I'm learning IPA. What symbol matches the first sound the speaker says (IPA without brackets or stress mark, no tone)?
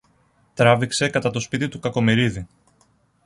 t̪